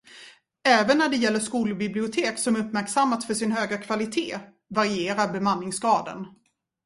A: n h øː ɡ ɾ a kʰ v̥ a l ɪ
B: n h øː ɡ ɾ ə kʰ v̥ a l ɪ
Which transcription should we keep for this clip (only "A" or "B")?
A